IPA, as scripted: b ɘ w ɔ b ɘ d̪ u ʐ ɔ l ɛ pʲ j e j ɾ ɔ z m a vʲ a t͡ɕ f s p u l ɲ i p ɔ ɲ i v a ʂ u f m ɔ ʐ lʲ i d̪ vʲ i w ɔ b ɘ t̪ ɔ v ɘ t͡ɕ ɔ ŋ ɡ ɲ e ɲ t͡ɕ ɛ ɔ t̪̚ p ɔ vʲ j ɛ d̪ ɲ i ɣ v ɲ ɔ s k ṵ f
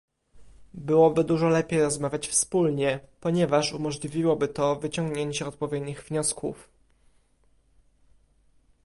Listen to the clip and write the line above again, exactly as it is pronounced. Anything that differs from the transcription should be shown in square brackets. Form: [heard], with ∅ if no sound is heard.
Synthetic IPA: b ɘ w ɔ b ɘ d̪ u ʐ ɔ l ɛ pʲ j e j ɾ ɔ z m a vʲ a t͡ɕ f s p u l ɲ [ɛ] p ɔ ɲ [ɛ] v a ʂ u [∅] m ɔ ʐ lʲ i [∅] vʲ i w ɔ b ɘ t̪ ɔ v ɘ t͡ɕ ɔ ŋ ɡ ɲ e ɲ t͡ɕ ɛ ɔ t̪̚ p ɔ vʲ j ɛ d̪ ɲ i ɣ v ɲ ɔ s k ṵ f

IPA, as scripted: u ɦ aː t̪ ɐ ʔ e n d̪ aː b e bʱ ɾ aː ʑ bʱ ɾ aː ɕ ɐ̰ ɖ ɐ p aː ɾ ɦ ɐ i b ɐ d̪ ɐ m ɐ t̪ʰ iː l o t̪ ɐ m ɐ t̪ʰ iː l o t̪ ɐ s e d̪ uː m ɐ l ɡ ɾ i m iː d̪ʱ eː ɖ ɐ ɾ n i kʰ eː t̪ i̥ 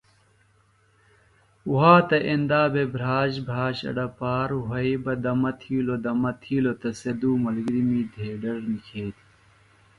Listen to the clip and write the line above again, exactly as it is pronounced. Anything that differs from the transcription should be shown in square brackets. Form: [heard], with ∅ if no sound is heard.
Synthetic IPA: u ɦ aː t̪ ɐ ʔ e n d̪ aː b e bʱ ɾ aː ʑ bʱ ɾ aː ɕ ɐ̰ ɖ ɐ p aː ɾ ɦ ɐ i b ɐ d̪ ɐ m ɐ t̪ʰ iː l o [d̪] ɐ m ɐ t̪ʰ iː l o t̪ ɐ s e d̪ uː m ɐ l ɡ ɾ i m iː d̪ʱ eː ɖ ɐ ɾ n i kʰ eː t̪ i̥

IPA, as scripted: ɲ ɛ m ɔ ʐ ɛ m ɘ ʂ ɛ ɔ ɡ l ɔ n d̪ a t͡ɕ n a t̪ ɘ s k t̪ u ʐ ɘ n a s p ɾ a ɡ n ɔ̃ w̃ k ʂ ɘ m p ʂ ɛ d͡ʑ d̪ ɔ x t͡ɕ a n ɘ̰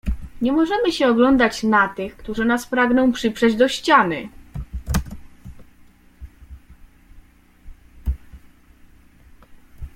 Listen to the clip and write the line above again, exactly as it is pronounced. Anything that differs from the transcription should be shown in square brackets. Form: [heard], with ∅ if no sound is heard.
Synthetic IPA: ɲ ɛ m ɔ ʐ ɛ m ɘ [ɕ] ɛ ɔ ɡ l ɔ n d̪ a t͡ɕ n a t̪ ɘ [x] k t̪ u ʐ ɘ n a s p ɾ a ɡ n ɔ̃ w̃ [p] ʂ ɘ [∅] p ʂ ɛ d͡ʑ d̪ ɔ [ɕ] t͡ɕ a n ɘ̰

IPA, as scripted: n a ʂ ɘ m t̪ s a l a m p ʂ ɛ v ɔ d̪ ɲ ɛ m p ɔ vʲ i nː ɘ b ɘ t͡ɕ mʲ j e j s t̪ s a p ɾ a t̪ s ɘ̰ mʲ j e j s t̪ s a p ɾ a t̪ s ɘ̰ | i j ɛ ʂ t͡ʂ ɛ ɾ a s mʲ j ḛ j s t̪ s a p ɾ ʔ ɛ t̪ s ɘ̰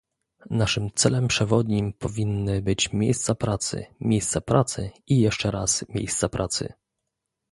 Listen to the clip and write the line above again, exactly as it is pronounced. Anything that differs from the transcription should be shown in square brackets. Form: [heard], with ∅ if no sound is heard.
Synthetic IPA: n a ʂ ɘ m t̪ s [ɛ] l [ɛ] m p ʂ ɛ v ɔ d̪ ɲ [i] m p ɔ vʲ i nː ɘ b ɘ t͡ɕ mʲ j e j s t̪ s a p ɾ a t̪ s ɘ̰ mʲ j e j s t̪ s a p ɾ a t̪ s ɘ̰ | i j ɛ ʂ t͡ʂ ɛ ɾ a s mʲ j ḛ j s t̪ s a p ɾ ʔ [a] t̪ s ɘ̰

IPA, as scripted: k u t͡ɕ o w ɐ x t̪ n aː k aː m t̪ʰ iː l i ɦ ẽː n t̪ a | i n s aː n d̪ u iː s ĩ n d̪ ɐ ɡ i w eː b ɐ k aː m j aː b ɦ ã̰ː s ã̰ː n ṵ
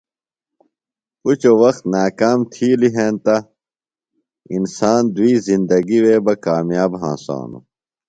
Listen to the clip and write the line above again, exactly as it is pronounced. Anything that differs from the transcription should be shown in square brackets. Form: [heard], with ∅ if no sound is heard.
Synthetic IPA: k u t͡ɕ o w ɐ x t̪ n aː k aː m t̪ʰ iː l i ɦ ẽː n t̪ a | i n s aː n d̪ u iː [z] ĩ n d̪ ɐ ɡ i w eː b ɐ k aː m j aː b ɦ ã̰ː s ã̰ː n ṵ

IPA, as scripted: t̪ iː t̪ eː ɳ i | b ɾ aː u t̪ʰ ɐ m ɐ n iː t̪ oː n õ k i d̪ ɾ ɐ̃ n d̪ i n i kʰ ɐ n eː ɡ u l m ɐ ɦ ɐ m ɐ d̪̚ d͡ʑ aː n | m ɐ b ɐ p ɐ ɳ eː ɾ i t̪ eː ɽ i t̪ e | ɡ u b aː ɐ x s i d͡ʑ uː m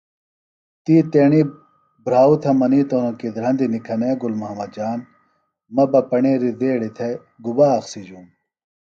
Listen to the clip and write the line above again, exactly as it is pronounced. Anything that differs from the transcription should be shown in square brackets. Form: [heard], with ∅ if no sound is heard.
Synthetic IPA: t̪ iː t̪ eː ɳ i | b ɾ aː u t̪ʰ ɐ m ɐ n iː t̪ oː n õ k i d̪ ɾ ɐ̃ n d̪ i n i kʰ ɐ n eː ɡ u l m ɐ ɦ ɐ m ɐ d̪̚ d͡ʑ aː n | m ɐ b ɐ p ɐ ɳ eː ɾ i [d̪] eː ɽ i [t̪ʰ] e | ɡ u b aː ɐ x s i d͡ʑ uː m

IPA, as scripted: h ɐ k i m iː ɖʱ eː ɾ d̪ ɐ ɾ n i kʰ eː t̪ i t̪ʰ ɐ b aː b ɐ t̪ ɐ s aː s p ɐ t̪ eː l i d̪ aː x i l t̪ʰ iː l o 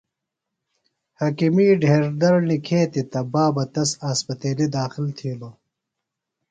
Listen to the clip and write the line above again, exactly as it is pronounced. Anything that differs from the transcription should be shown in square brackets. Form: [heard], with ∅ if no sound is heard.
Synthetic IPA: h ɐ k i m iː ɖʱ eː ɾ d̪ ɐ ɾ n i kʰ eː t̪ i [t̪] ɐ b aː b ɐ t̪ ɐ s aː s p ɐ t̪ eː l i d̪ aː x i l t̪ʰ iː l o

